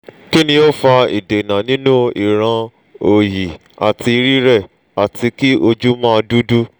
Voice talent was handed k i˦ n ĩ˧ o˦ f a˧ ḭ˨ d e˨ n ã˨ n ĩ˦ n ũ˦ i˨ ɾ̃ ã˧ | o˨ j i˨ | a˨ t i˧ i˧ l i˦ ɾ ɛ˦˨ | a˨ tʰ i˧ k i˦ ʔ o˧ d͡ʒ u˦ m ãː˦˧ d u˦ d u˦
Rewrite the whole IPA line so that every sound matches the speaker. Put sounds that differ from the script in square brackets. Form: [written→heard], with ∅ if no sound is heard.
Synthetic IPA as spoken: k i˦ n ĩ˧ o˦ f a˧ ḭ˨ d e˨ n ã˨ n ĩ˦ n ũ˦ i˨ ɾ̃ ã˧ | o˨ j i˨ | a˨ t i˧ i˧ [l→ɾ] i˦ ɾ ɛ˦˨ | a˨ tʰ i˧ k i˦ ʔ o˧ d͡ʒ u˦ m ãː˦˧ d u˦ d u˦